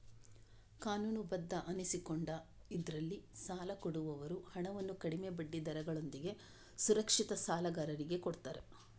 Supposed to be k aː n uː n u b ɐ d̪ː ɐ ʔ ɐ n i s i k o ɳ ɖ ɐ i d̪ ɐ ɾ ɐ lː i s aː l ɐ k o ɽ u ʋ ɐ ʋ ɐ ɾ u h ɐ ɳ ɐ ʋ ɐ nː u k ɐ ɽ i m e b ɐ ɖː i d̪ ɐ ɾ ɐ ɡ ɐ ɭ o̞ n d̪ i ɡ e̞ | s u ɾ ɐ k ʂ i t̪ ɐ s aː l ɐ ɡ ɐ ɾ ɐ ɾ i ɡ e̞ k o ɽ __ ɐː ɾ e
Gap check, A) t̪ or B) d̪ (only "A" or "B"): A